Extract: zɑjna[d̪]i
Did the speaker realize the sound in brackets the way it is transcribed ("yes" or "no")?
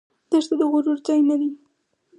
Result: yes